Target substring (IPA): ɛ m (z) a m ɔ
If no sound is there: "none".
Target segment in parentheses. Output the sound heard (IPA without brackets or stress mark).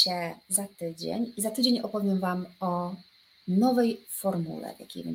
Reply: v